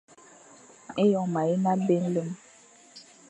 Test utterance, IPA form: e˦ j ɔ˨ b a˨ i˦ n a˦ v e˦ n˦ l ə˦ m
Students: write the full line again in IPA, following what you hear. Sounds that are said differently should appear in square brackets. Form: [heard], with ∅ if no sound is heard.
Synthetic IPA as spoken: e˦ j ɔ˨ [m] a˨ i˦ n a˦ [b] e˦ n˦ l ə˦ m